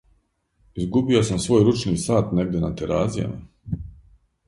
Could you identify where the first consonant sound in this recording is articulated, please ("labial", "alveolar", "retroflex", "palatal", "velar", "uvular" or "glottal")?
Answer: alveolar